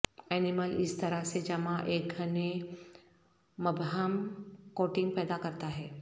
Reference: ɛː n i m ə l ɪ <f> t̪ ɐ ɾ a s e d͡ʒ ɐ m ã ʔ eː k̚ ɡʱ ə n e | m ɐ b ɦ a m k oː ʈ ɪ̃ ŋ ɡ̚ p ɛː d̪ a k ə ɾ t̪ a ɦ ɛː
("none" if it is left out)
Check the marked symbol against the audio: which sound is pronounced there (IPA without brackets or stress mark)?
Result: s